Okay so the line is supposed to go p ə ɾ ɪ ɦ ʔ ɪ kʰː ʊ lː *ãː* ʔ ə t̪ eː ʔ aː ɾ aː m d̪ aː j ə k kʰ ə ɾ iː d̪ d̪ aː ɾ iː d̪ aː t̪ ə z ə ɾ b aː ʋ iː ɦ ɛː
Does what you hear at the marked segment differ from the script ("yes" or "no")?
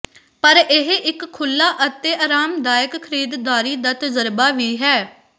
yes